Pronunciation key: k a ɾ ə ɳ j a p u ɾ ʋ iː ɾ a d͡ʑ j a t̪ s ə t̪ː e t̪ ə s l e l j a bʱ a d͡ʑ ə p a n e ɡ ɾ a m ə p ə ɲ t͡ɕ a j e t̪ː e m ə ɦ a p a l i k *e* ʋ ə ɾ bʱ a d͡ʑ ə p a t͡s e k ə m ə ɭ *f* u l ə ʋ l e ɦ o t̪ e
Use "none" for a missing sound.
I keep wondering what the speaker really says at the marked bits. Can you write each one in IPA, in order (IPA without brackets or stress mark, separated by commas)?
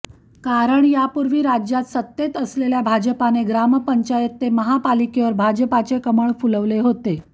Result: e, f